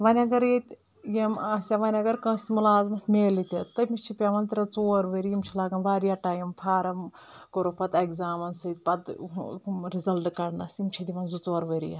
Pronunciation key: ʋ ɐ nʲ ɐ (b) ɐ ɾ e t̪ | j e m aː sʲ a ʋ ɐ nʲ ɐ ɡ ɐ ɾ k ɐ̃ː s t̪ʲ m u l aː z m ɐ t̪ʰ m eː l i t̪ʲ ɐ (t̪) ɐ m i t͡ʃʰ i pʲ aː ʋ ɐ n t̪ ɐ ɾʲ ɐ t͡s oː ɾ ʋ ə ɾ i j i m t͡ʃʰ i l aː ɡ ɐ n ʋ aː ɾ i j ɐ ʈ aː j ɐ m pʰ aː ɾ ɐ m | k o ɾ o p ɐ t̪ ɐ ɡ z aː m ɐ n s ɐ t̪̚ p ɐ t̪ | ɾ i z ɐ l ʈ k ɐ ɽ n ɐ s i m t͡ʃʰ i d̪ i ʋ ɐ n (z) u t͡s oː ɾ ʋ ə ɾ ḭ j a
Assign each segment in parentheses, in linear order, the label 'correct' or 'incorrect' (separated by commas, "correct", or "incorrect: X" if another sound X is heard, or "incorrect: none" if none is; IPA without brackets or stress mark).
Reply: incorrect: ɡ, correct, correct